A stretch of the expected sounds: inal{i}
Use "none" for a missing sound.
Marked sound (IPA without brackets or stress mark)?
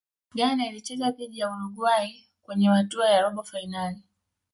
i